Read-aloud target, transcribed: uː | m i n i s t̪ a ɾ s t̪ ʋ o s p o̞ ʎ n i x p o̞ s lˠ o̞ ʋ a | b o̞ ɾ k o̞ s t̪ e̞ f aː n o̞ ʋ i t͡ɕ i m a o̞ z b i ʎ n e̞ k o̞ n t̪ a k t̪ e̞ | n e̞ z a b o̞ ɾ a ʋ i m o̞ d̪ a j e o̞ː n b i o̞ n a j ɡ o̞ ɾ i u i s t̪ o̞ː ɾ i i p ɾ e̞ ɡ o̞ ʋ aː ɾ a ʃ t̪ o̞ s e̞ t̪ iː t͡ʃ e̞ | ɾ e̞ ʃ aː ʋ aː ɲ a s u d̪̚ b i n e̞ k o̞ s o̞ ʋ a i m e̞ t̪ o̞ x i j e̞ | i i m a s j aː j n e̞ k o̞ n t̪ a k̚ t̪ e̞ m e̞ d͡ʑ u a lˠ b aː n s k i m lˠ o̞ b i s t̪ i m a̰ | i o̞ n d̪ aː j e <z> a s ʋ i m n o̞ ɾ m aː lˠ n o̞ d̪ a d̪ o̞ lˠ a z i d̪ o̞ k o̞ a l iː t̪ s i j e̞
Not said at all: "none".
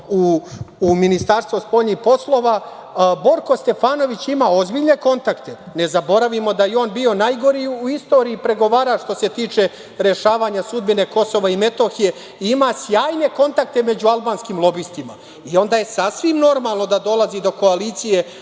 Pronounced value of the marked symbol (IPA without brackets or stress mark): s